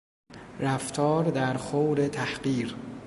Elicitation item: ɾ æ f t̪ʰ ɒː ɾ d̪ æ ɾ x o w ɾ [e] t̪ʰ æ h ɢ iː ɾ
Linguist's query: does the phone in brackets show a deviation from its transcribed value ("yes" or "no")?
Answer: no